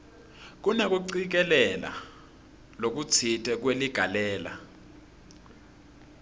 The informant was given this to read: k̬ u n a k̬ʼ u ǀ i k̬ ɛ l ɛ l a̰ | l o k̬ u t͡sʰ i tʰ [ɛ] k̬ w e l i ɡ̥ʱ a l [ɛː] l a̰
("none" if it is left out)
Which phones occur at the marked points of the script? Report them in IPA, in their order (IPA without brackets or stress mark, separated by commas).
ɛ, ɛː